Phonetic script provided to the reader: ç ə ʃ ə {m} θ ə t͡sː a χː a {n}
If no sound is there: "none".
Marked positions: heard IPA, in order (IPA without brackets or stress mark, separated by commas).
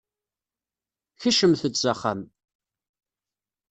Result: m, m